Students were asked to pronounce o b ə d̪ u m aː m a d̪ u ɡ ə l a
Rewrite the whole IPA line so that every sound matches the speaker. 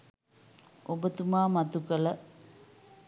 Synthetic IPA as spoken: o b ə t̪ u m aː m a t̪ u k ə l ə